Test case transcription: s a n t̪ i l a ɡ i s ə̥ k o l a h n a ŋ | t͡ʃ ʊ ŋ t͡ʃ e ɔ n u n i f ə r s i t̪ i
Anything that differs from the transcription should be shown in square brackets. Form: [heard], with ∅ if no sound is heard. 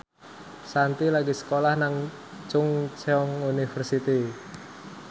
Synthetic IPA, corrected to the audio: s a n t̪ i l a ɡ i s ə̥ k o l a h n a ŋ | t͡ʃ ʊ ŋ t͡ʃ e ɔ [ŋ] u n i f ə r s i t̪ i